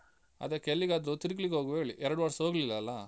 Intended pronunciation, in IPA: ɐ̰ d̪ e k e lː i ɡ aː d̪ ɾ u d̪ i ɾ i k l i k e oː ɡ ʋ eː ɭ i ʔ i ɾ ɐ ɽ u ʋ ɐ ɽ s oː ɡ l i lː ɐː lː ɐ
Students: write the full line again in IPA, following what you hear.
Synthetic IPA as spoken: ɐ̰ d̪ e k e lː i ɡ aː d̪ ɾ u t̪ i ɾ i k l i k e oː ɡ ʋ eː ɭ i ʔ ɛ ɾ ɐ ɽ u ʋ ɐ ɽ s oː ɡ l i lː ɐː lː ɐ